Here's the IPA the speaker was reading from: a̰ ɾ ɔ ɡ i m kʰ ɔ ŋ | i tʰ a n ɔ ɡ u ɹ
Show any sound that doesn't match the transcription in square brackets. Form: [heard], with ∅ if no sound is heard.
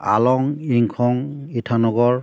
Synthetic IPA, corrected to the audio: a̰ [l] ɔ [ŋ] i [ŋ] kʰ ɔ ŋ | i tʰ a n ɔ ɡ [ɔ] ɹ